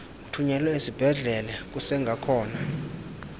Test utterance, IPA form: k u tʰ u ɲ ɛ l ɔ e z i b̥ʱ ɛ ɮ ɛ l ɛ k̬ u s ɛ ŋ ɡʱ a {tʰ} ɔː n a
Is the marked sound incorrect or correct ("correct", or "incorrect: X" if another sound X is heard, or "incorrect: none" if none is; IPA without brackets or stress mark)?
incorrect: kʰ